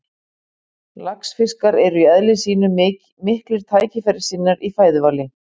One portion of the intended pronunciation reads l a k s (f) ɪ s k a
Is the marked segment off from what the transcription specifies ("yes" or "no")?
no